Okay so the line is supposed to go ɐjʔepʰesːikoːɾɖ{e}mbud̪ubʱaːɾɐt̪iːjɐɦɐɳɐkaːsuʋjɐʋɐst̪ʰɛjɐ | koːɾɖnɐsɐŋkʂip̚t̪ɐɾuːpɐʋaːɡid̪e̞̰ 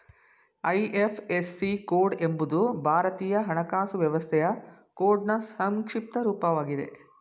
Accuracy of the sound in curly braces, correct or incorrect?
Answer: correct